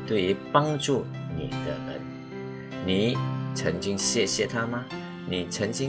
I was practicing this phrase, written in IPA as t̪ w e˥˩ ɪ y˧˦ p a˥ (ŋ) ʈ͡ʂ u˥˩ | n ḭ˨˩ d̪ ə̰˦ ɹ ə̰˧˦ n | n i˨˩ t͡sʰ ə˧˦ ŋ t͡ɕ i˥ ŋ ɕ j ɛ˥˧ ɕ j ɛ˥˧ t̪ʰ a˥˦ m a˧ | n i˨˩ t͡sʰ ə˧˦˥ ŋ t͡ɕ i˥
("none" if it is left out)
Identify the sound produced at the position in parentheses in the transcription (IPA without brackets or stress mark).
ŋ